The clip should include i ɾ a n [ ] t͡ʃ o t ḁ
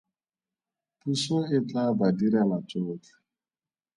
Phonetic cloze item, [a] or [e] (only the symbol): a